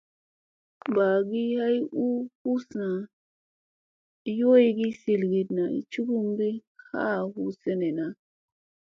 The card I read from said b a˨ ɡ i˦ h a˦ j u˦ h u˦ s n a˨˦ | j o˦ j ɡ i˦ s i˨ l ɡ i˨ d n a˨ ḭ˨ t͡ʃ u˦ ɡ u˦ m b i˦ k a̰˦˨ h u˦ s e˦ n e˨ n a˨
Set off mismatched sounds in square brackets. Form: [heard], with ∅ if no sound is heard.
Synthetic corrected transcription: b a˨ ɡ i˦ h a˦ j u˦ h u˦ s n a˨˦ | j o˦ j ɡ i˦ s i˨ l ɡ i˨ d n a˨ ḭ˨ t͡ʃ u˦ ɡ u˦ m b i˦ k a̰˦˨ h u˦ s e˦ n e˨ n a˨

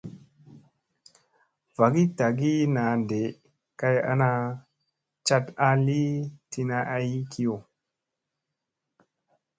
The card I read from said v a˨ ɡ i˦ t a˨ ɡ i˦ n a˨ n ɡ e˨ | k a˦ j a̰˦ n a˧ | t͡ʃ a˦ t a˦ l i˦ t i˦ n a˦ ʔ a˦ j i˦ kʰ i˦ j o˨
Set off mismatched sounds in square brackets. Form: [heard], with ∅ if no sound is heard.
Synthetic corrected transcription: v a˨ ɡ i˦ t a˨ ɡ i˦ n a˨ n [d] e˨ | k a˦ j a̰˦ n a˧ | t͡ʃ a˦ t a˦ l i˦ t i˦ n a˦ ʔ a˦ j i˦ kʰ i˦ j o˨

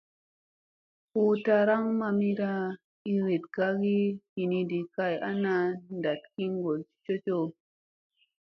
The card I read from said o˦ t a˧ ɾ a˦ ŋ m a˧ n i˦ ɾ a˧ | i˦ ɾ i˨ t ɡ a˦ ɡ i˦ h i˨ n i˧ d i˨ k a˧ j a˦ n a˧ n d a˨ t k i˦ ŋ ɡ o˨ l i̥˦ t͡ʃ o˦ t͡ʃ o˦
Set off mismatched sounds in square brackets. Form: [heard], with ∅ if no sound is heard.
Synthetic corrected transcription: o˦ t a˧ ɾ a˦ ŋ m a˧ [m] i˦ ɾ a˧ | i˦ ɾ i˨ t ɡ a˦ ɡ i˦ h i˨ n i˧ d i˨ k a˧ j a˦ n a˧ n d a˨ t k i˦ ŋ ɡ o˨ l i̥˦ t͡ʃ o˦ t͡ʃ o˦

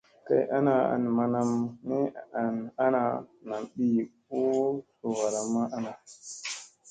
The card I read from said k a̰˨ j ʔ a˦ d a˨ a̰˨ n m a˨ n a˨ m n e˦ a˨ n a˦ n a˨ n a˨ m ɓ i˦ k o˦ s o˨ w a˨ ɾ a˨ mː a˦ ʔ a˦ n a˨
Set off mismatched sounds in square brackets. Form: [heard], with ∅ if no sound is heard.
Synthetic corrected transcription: k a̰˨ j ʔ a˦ [n] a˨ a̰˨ n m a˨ n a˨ m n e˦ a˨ n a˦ n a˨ n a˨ m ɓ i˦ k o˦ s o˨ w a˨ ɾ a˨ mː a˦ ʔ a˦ n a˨

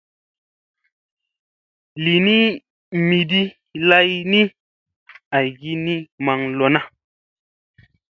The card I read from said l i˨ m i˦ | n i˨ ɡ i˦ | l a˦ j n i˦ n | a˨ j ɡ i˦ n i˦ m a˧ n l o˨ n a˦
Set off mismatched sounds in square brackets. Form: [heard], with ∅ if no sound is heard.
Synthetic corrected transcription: l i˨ [n] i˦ | [m] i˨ [d] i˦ | l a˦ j n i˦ [∅] | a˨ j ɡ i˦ n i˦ m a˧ [ŋ] l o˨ n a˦

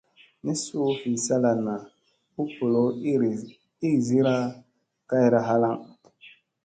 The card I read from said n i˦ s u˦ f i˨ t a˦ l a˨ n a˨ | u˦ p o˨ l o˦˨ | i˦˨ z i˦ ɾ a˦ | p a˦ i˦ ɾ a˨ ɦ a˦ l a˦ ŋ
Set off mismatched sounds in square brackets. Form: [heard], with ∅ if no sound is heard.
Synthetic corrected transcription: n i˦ s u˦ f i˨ [s] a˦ l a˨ n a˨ | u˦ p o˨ l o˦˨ | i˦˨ z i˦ ɾ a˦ | [k] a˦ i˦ ɾ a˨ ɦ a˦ l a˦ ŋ

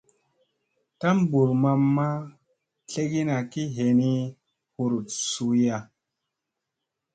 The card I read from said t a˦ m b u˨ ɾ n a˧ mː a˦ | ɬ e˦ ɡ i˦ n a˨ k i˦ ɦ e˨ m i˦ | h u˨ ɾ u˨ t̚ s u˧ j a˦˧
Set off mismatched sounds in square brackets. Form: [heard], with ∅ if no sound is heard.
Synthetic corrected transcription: t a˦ m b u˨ ɾ [m] a˧ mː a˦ | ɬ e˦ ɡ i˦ n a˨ k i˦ ɦ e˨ [n] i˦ | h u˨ ɾ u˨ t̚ s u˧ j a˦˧

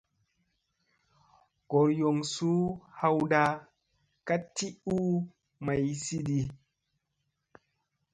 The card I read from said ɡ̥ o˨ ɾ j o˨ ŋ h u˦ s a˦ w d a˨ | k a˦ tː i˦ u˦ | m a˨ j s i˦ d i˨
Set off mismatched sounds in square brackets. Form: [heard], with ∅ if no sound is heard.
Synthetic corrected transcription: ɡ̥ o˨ ɾ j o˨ ŋ [s] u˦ [h] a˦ w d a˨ | k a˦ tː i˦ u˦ | m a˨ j s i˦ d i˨

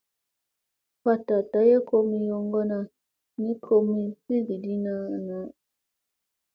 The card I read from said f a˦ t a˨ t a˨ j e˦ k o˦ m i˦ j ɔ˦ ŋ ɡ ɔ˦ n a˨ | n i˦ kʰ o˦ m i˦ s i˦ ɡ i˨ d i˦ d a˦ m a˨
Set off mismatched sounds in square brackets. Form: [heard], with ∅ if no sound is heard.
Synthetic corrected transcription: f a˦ t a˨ t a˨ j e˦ k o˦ m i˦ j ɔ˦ ŋ ɡ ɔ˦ n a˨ | n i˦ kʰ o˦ m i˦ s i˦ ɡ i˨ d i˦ [n] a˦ [n] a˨

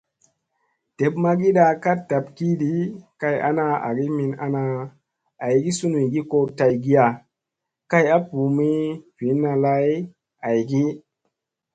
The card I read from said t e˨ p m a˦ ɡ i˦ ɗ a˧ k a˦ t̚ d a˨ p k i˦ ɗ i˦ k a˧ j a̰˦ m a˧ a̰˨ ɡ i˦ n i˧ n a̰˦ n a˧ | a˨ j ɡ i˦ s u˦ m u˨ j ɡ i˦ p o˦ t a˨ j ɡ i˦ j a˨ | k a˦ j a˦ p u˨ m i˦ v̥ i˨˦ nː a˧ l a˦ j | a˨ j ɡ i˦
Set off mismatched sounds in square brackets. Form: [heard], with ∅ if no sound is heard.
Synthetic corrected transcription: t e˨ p m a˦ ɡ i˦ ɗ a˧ k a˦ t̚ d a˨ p k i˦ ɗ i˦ k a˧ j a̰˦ [n] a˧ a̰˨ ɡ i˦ [m] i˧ n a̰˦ n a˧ | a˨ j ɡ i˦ s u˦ [n] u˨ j ɡ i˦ [k] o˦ t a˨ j ɡ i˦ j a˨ | k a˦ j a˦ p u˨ m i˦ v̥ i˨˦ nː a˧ l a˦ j | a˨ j ɡ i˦

